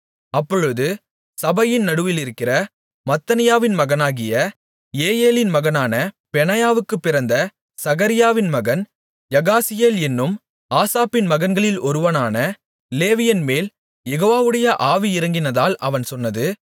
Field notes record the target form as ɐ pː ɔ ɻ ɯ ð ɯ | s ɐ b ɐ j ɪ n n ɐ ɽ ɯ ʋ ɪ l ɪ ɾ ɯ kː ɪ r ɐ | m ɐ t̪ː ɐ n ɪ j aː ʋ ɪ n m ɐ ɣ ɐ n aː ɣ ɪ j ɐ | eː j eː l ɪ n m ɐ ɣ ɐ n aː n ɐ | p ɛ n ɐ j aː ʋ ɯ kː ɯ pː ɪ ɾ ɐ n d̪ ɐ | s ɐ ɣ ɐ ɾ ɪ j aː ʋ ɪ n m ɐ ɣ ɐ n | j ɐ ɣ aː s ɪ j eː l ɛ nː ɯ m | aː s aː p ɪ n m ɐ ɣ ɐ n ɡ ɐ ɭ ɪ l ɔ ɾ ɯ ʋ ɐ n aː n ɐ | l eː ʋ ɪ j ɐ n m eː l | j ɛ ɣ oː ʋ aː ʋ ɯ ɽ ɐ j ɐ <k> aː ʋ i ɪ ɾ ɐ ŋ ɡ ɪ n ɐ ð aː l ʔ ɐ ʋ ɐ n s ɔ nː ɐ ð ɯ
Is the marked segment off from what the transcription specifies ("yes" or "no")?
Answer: yes